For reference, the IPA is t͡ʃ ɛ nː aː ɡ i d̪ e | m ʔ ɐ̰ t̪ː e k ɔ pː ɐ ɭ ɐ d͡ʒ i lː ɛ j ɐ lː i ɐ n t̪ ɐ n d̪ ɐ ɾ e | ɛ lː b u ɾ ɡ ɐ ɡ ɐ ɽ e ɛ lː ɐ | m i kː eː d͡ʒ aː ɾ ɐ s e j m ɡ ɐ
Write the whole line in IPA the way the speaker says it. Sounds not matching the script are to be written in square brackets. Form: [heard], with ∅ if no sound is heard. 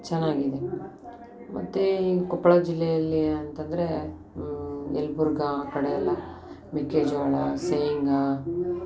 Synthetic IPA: t͡ʃ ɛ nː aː ɡ i d̪ e | m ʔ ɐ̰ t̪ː e k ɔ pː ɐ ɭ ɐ d͡ʒ i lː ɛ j ɐ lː i ɐ n t̪ ɐ n d̪ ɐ ɾ e | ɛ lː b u ɾ ɡ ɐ [k] ɐ ɽ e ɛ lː ɐ | m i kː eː d͡ʒ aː [ɭ] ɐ s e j [ŋ] ɡ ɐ